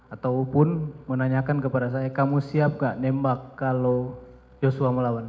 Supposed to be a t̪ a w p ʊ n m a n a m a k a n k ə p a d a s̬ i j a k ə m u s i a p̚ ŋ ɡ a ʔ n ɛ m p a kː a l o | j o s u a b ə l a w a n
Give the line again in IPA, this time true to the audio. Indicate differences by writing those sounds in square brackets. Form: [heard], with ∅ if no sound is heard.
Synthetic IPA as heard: a t̪ a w p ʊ n m [ə] n a [ɲ] a k a n k ə p a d a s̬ [a] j a k [a] m u s i a p̚ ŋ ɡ a ʔ n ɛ m [b] a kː a l o | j o s u a [m] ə l a w a n